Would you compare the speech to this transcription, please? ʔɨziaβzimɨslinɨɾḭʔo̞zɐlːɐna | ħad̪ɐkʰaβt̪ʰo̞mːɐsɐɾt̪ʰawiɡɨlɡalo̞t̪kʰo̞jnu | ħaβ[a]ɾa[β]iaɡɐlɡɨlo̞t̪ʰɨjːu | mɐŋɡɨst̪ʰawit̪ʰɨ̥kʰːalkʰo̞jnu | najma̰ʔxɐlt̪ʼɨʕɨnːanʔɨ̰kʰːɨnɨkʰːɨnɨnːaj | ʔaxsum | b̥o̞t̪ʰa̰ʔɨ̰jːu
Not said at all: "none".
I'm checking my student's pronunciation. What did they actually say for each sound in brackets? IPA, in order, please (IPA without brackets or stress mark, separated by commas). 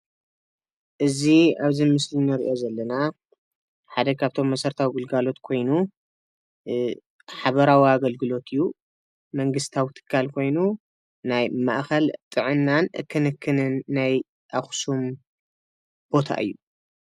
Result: ɐ, w